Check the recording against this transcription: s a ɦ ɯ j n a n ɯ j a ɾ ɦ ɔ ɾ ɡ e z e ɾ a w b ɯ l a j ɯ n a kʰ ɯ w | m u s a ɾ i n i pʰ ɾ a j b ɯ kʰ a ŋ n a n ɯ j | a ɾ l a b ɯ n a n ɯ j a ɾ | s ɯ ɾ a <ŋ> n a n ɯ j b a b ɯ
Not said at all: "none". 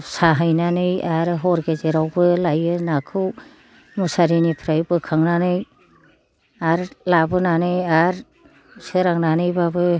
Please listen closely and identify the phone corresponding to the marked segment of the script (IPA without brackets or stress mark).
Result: ŋ